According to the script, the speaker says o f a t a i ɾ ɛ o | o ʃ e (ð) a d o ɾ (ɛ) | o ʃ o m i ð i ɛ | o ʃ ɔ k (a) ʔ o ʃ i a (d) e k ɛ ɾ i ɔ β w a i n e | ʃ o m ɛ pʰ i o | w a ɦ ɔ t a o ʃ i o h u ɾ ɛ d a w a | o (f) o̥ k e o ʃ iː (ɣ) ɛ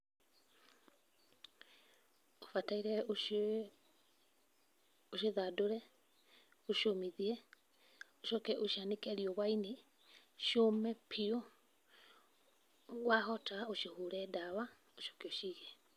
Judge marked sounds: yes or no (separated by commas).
yes, yes, no, no, no, yes